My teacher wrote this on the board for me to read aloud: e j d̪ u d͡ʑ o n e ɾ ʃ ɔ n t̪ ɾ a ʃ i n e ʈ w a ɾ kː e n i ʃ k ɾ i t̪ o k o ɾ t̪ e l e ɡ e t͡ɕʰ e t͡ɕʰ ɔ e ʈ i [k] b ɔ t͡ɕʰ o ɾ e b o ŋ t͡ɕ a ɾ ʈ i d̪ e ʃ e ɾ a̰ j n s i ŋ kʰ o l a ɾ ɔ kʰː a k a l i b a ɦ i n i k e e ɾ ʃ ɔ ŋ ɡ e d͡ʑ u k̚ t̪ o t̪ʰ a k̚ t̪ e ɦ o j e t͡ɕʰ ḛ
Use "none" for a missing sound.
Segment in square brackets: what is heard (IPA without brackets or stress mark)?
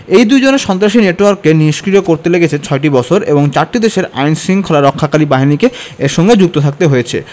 none